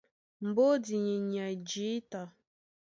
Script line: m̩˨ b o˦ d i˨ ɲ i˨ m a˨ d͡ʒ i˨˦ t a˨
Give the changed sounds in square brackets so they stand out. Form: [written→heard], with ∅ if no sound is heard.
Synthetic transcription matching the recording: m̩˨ b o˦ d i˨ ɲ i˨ [m→ɲ] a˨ d͡ʒ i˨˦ t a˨

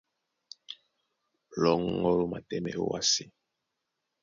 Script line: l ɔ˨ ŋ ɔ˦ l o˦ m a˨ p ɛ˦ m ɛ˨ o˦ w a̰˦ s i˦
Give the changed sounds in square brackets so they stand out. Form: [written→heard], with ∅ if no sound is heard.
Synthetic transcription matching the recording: l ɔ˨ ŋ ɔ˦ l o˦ m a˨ [p→t] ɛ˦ m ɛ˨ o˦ w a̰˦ s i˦

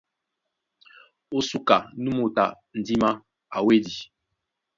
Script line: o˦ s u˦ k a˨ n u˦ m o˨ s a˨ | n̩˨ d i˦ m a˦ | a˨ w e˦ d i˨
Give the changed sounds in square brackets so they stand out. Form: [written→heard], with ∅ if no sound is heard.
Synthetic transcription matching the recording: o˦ s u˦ k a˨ n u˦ m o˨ [s→t] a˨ | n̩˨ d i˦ m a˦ | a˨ w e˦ d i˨

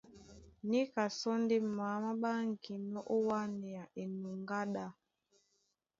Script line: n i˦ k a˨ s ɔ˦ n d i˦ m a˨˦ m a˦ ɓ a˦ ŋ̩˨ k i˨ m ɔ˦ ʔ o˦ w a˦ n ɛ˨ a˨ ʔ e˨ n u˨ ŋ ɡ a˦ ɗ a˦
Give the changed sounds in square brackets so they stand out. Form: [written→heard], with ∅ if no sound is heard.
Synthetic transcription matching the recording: n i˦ k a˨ s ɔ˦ n d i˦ m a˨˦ m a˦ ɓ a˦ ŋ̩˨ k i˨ [m→n] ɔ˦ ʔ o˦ w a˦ n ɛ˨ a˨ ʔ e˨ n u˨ ŋ ɡ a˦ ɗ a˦

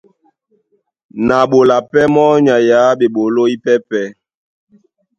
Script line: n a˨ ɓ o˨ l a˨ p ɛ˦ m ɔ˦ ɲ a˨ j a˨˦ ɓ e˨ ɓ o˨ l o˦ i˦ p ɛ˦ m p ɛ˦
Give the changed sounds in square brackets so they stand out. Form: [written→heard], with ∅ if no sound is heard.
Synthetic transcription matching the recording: n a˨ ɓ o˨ l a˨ p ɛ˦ m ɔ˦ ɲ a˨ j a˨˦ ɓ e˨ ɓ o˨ l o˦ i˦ p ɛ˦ [m→∅] p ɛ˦

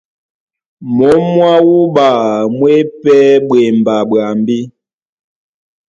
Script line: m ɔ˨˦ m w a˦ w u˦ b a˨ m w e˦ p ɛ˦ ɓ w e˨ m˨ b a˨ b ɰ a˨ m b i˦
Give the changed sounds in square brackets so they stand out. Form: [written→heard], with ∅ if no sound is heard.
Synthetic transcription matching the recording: m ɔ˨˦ m w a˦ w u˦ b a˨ m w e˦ p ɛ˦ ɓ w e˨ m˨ b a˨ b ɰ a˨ m b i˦

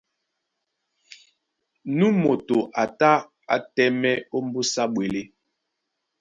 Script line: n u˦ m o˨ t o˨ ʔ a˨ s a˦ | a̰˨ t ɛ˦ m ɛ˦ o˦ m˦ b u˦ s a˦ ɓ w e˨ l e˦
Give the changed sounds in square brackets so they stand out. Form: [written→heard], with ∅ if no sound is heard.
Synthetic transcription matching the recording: n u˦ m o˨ t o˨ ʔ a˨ [s→t] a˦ | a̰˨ t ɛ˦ m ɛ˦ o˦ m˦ b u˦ s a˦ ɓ w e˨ l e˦

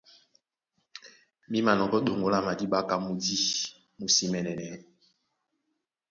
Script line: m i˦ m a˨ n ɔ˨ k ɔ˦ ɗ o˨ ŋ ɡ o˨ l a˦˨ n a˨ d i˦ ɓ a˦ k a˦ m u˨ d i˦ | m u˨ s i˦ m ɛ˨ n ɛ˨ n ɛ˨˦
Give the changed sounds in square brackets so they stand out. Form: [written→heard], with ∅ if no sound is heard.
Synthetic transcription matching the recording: m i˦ m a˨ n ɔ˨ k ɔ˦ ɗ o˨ ŋ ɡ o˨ l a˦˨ [n→m] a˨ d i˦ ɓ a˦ k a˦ m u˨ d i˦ | m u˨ s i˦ m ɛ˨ n ɛ˨ n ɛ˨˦

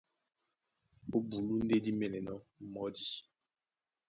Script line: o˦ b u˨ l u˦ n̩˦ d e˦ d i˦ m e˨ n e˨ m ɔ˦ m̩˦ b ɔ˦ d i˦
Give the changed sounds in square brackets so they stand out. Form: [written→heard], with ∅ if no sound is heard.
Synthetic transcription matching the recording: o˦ b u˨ l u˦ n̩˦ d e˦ d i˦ m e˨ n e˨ [m→n] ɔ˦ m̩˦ [b→m] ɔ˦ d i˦

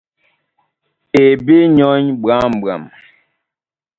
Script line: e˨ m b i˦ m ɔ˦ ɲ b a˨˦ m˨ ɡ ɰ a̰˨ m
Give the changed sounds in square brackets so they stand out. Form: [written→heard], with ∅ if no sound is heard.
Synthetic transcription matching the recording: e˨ [m→∅] b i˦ [m→ɲ] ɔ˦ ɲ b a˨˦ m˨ [ɡ→b] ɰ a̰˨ m

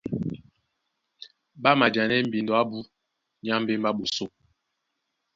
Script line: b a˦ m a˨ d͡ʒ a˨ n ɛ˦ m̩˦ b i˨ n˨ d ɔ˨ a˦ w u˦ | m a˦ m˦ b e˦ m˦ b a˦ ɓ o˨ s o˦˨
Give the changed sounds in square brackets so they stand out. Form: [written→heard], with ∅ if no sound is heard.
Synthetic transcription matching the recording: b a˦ m a˨ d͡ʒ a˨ n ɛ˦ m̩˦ b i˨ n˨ d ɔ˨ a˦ [w→b] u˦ | [m→ɲ] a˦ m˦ b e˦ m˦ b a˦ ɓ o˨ s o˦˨

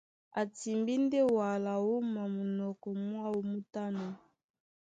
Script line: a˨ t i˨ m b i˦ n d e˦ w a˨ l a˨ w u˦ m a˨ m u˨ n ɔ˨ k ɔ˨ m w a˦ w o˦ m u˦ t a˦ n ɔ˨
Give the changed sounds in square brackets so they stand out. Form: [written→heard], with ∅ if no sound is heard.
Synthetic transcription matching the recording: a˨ t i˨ m b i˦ n d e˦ w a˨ l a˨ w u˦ m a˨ m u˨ n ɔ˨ k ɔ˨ m w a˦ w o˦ m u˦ t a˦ n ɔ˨

